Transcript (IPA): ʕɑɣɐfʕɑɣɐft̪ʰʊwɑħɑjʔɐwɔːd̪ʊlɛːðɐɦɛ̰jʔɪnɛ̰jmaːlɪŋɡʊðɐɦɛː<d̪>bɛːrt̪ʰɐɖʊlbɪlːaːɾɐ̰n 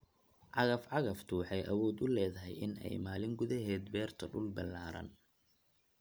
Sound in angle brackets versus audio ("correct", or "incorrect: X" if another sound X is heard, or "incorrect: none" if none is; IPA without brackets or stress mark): correct